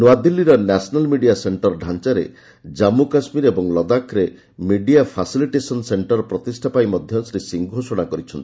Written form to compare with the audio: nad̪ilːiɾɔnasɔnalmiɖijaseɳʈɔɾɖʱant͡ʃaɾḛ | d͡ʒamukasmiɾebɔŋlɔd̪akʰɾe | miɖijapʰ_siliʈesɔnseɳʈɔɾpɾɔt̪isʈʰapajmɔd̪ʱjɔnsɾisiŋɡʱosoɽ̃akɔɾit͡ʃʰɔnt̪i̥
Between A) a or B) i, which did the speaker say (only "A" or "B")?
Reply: A